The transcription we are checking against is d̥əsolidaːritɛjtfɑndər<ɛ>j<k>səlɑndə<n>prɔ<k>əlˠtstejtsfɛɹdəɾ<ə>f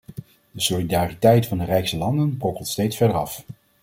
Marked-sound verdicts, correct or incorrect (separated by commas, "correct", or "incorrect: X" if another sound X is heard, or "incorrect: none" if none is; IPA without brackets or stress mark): correct, correct, correct, correct, incorrect: ɑ